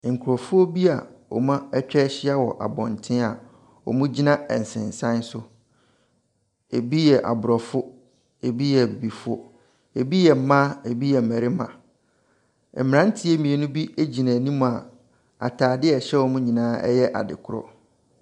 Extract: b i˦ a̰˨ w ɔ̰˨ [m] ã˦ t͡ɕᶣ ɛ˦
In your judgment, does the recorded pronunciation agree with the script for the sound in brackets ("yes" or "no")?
yes